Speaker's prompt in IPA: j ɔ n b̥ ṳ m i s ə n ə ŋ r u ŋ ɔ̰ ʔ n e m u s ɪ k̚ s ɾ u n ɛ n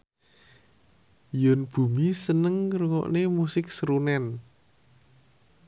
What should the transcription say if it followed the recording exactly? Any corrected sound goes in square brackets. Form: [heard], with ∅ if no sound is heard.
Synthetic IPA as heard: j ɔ n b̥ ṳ m i s ə n ə ŋ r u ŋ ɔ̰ ʔ n e m u s ɪ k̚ s ɾ u n ɛ n